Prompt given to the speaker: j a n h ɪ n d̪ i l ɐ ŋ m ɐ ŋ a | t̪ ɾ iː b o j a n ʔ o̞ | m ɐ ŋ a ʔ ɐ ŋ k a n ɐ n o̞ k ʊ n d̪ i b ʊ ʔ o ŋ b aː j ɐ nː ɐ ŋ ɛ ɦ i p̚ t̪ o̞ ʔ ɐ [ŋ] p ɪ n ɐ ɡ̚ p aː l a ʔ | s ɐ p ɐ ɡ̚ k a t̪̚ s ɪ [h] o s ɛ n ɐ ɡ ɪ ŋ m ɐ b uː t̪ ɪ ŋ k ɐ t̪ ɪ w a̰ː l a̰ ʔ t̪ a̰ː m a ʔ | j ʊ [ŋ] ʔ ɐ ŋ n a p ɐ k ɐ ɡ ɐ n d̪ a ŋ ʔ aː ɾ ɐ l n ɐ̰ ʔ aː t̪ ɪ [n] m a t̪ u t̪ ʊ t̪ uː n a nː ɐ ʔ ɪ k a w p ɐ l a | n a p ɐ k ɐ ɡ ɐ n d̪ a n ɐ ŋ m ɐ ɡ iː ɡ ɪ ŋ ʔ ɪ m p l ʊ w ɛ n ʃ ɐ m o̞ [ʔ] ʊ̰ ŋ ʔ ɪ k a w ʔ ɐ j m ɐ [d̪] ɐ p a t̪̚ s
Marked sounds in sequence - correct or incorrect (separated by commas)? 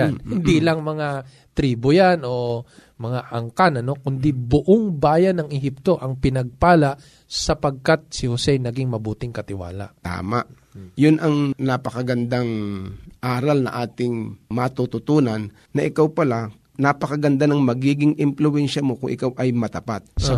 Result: correct, correct, incorrect, incorrect, incorrect, incorrect